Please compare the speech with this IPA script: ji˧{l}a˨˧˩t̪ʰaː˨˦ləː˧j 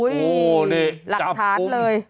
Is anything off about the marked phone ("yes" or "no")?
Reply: no